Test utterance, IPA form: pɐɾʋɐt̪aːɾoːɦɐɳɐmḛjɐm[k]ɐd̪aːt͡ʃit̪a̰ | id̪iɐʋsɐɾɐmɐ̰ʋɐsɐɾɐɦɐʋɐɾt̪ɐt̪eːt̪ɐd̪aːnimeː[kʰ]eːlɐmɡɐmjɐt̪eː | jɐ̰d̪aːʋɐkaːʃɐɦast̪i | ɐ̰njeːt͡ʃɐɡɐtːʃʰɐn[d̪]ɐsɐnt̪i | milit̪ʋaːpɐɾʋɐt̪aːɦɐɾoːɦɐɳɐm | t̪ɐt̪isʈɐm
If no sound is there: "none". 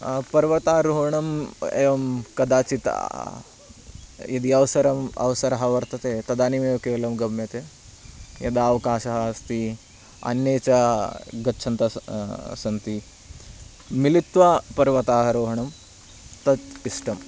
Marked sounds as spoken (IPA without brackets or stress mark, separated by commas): k, k, t̪